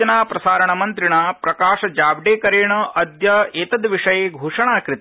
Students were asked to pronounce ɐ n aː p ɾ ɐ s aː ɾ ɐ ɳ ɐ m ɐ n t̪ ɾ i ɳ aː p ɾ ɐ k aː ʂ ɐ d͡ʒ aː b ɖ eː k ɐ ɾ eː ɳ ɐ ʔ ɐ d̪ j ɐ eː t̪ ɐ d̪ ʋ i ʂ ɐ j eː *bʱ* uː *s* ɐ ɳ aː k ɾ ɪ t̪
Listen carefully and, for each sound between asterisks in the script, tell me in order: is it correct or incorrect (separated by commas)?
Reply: incorrect, incorrect